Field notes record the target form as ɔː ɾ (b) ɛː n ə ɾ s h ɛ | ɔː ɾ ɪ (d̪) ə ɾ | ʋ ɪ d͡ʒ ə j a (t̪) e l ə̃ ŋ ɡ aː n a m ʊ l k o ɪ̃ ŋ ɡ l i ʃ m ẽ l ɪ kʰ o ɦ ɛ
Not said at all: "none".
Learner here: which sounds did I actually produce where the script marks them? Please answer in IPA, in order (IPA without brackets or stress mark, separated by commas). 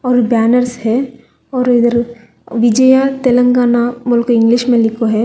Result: b, d̪, t̪